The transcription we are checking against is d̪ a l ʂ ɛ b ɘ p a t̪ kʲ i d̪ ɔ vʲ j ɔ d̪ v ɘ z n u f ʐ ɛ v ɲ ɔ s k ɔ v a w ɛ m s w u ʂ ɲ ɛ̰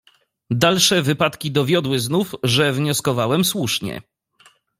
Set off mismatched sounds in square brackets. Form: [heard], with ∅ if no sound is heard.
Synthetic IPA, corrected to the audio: d̪ a l ʂ ɛ [v] ɘ p a t̪ kʲ i d̪ ɔ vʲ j ɔ d̪ [w] ɘ z n u f ʐ ɛ v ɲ ɔ s k ɔ v a w ɛ m s w u ʂ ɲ ɛ̰